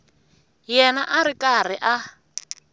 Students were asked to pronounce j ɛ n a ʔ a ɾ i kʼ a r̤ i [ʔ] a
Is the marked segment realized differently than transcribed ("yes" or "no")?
no